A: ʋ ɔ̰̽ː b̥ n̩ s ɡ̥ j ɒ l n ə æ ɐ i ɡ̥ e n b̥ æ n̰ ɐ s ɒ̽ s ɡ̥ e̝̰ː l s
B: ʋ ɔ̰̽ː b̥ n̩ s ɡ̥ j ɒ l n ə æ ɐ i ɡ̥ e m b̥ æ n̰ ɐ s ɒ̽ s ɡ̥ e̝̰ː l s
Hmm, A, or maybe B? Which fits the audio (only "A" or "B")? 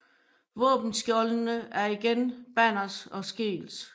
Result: A